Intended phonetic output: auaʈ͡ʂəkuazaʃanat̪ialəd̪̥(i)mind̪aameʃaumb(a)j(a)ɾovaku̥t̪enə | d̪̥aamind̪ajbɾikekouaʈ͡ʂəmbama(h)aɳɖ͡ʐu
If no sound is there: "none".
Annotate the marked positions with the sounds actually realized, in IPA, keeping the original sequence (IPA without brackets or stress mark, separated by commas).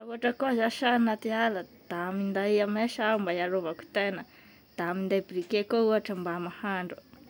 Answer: a, a, a, h